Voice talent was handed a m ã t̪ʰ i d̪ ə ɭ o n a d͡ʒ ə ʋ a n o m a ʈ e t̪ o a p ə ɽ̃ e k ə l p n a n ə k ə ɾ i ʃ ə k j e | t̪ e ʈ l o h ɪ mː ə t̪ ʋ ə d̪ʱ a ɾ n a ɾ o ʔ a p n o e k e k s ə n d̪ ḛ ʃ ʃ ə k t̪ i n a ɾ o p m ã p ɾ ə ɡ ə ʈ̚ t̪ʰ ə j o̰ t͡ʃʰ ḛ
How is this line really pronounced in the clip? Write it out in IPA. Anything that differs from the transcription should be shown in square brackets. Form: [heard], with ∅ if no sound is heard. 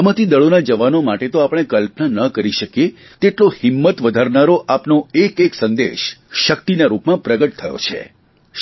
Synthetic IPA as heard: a m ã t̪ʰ i d̪ ə ɭ o n a d͡ʒ ə ʋ a n o m a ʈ e t̪ o a p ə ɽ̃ e k ə l p n a n ə k ə ɾ i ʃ ə k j e | t̪ e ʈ l o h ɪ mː ə t̪ ʋ ə d̪ʱ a ɾ n a ɾ o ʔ a p n o e k e k s ə n d̪ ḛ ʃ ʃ ə k t̪ i n a ɾ [u] p m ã p ɾ ə ɡ ə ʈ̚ t̪ʰ ə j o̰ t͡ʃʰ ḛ

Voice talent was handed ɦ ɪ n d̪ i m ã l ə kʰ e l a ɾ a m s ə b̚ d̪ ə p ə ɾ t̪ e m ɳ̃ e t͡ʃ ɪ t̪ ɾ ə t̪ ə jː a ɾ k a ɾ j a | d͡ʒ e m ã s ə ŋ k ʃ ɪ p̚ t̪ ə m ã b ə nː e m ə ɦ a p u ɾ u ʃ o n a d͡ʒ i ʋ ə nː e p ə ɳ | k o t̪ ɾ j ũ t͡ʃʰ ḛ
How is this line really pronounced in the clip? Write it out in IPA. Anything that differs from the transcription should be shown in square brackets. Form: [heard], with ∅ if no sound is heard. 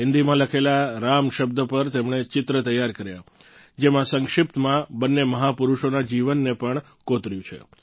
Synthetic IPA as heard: ɦ ɪ n d̪ i m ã l ə kʰ e l a ɾ a m [ʃ] ə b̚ d̪ ə p ə ɾ t̪ e m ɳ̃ e t͡ʃ ɪ t̪ ɾ ə t̪ ə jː a ɾ k [ə] ɾ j a | d͡ʒ e m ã s ə ŋ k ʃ ɪ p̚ t̪ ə m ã b ə nː e m ə ɦ a p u ɾ u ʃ o n a d͡ʒ i ʋ ə nː e p ə ɳ | k o t̪ ɾ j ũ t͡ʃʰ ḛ

